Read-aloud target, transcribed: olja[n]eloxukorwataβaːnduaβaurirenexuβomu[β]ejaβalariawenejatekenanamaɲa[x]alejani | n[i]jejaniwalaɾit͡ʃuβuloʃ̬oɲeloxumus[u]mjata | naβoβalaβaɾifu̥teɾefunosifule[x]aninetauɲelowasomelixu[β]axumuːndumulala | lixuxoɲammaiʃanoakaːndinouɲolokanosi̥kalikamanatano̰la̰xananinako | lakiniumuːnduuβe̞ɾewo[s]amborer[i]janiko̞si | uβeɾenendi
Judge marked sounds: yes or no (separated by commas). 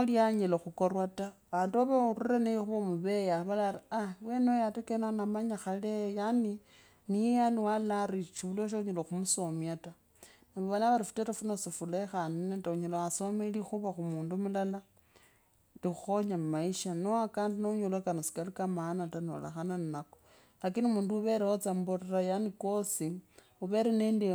no, yes, yes, yes, no, yes, yes, no, no